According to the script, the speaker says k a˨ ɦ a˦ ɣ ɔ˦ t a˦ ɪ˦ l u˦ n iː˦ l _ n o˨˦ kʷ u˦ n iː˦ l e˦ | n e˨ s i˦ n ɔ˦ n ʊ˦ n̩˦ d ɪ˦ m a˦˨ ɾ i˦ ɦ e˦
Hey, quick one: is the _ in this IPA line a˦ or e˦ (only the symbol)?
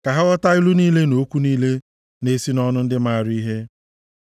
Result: e˦